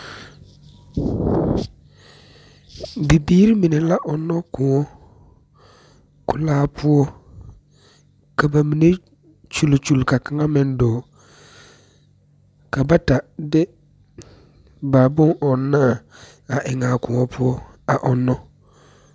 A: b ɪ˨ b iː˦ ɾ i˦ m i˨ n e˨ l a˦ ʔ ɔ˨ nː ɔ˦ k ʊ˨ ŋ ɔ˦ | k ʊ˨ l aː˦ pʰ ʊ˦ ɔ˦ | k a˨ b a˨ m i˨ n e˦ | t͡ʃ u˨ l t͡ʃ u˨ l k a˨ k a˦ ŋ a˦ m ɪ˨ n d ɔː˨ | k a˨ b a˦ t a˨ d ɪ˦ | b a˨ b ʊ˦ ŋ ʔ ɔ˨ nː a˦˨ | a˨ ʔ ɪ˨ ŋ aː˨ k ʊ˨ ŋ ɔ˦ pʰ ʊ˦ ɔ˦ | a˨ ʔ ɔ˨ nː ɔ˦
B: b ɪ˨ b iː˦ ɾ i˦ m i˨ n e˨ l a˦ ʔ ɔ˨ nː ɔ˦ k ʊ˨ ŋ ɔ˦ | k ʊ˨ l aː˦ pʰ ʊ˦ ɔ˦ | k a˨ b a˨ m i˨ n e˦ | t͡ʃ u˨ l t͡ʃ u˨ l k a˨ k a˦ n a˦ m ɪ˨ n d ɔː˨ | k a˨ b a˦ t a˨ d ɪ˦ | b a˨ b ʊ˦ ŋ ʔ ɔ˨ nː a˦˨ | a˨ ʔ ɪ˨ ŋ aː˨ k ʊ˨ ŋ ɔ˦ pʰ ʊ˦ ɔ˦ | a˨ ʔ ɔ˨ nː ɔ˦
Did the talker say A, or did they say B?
A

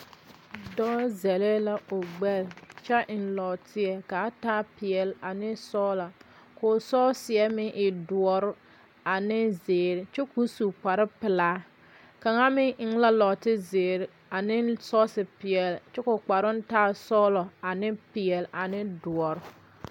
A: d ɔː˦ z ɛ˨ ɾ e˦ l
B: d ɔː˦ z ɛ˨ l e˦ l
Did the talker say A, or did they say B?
B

